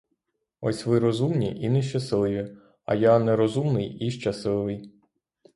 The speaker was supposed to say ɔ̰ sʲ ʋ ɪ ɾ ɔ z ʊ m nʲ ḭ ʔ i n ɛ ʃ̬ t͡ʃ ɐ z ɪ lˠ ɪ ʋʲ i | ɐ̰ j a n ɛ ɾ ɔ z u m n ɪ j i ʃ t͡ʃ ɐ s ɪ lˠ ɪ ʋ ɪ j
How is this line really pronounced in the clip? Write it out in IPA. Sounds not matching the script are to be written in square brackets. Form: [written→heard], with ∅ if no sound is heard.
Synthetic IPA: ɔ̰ sʲ ʋ ɪ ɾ ɔ z [ʊ→u] m nʲ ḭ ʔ i n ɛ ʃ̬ t͡ʃ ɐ [z→s] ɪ lˠ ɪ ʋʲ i | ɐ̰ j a n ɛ ɾ ɔ z u m n ɪ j i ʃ t͡ʃ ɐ s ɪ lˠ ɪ ʋ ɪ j